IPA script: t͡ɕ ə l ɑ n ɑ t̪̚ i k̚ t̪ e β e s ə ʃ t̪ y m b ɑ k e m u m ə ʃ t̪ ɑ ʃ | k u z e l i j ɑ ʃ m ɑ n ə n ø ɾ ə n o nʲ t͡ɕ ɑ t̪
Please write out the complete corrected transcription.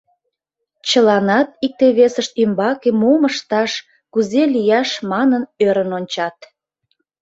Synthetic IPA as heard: t͡ɕ ə l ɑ n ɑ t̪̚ i k̚ t̪ e β e s ə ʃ t̪ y m b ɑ k e m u m ə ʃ t̪ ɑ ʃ | k u z e l i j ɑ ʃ m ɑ n ə n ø ɾ ə n o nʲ t͡ɕ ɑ t̪